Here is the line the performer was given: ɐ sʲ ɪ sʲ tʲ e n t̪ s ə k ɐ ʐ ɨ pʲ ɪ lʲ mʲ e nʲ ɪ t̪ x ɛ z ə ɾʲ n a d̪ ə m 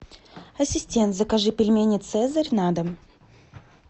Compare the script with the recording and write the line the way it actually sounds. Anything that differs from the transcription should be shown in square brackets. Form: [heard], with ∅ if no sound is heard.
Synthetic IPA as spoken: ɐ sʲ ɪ sʲ tʲ e n t̪ [z] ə k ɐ ʐ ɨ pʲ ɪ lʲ mʲ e nʲ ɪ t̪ [s] ɛ z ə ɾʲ n a d̪ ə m